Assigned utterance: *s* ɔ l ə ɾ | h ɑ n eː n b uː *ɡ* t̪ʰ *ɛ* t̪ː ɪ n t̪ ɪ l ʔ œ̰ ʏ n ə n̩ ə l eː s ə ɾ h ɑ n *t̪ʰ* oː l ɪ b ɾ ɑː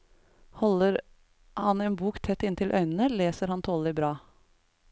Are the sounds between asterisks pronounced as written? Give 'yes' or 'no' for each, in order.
no, no, yes, yes

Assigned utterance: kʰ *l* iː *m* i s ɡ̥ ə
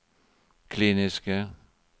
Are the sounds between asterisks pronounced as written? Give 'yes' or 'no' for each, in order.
yes, no

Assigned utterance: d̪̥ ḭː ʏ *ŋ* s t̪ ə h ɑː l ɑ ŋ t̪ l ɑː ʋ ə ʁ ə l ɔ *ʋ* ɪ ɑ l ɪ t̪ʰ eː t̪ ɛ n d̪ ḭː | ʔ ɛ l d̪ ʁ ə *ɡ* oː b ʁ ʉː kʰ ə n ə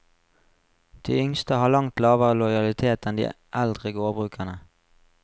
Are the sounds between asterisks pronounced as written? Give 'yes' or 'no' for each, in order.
yes, no, yes

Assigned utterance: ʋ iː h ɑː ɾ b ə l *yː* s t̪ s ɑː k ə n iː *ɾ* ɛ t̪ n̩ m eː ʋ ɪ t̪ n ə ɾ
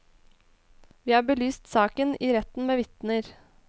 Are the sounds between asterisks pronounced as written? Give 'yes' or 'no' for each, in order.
yes, yes

